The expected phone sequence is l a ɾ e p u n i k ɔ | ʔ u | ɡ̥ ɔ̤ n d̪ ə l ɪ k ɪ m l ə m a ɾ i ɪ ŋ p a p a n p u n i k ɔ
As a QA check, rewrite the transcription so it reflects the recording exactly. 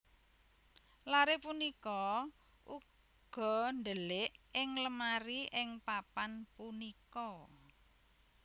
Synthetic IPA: l a ɾ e p u n i k ɔ | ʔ u | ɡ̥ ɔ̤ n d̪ ə l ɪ ʔ ɪ ŋ l ə m a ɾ i ɪ ŋ p a p a n p u n i k ɔ